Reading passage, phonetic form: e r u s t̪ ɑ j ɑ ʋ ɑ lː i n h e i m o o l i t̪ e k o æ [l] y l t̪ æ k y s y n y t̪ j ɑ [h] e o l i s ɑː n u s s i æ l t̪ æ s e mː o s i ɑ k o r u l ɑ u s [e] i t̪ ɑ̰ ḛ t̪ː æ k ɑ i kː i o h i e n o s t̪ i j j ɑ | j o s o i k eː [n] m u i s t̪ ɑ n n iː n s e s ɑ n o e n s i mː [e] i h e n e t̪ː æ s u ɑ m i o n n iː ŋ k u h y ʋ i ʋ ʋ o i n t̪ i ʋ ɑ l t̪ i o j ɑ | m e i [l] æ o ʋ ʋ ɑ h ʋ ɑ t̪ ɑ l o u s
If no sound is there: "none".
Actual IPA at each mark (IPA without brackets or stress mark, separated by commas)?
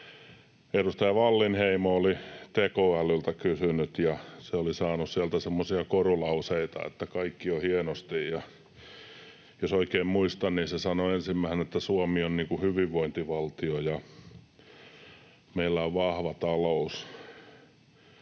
l, s, e, m, æ, lː